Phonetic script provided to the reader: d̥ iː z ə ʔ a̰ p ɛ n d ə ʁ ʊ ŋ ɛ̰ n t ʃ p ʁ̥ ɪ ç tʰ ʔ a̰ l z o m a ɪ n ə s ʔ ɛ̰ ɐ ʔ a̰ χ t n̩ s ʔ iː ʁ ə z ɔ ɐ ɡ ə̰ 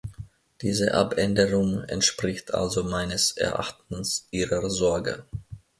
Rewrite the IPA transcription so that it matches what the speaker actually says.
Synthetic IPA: d̥ iː z ə ʔ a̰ p ɛ n d ə ʁ ʊ ŋ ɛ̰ n t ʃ p ʁ̥ ɪ ç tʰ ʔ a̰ l z o m a ɪ n ə s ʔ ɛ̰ ɐ ʔ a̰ χ t n̩ s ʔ iː ʁ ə z ɔ ɐ ɡ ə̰